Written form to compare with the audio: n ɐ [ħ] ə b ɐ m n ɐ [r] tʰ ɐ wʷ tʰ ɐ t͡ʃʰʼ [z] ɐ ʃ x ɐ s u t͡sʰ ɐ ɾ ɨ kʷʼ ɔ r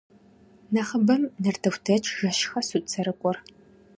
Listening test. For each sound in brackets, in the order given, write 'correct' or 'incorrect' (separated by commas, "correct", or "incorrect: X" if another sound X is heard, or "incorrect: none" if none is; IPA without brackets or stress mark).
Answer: incorrect: χ, correct, incorrect: ʒ